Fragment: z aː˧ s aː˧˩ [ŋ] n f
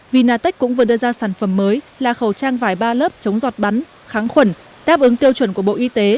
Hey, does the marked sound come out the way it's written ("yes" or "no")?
no